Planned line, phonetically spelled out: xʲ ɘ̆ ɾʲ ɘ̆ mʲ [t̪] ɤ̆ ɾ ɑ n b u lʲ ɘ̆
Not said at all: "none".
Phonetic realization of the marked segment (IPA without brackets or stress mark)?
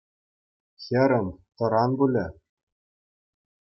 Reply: t̪